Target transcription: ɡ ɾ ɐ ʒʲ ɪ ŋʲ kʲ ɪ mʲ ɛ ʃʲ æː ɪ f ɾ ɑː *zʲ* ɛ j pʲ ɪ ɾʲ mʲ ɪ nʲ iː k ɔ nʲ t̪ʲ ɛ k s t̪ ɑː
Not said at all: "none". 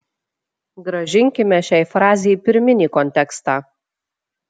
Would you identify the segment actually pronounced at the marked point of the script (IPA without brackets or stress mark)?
zʲ